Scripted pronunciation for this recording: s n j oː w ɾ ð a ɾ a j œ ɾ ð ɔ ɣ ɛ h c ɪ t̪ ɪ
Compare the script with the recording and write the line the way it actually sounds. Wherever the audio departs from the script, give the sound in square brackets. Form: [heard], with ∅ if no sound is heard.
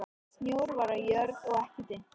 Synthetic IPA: s n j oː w ɾ [v] a ɾ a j œ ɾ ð ɔ ɣ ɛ h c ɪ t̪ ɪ

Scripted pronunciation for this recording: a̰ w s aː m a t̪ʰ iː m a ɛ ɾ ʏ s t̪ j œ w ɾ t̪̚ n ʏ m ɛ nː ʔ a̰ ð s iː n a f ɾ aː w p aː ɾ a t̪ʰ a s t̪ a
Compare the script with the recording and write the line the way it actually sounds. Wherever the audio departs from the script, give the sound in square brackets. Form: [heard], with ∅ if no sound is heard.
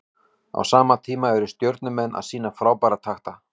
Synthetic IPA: a̰ w s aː m a t̪ʰ iː m a ɛ ɾ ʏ s t̪ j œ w ɾ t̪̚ n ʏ m ɛ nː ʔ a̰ ð s iː n a f ɾ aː w p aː ɾ a t̪ʰ a [x] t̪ a

